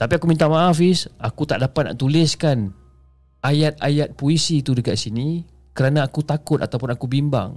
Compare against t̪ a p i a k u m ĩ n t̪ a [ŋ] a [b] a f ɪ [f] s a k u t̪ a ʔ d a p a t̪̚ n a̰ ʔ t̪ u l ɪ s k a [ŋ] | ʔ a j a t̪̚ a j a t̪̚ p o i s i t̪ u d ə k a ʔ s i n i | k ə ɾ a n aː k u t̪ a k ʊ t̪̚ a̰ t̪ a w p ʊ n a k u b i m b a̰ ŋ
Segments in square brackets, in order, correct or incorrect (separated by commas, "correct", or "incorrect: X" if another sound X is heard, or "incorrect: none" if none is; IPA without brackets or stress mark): incorrect: m, incorrect: none, incorrect: none, incorrect: n